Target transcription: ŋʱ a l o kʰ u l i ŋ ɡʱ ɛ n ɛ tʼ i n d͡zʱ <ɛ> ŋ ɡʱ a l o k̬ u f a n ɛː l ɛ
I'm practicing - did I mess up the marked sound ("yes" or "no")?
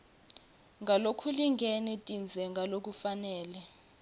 no